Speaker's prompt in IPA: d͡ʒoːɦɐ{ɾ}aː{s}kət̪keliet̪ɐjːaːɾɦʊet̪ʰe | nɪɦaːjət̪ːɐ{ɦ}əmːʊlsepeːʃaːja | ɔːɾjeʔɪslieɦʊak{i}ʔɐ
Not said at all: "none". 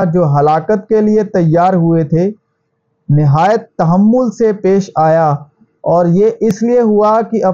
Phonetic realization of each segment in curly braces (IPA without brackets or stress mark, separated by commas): l, none, ɦ, i